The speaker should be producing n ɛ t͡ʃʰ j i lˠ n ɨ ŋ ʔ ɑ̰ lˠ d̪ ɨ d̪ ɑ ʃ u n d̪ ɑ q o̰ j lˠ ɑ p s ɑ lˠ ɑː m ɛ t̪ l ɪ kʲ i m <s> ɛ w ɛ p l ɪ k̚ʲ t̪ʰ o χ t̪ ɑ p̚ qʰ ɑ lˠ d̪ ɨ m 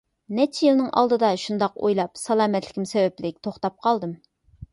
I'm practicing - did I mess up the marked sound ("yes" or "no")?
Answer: no